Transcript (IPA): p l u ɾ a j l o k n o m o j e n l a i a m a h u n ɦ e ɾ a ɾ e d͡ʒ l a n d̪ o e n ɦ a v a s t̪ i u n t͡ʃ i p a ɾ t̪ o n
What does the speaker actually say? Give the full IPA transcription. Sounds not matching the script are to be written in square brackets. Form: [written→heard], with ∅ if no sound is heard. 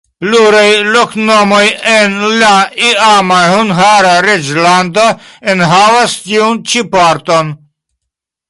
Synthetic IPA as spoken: p l u ɾ a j l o k n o m o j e n l a i a m a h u n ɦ [e→a] ɾ a ɾ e d͡ʒ l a n d̪ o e n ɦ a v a s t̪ i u n t͡ʃ i p a ɾ t̪ o n